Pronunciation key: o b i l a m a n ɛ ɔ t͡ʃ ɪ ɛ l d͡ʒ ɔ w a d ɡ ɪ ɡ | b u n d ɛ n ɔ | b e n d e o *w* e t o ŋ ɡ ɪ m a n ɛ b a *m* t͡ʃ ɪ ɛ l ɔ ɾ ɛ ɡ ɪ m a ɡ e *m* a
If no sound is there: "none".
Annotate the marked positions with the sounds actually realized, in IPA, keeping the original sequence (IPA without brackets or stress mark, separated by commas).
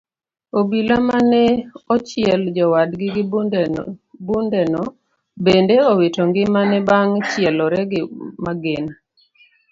w, ŋ, n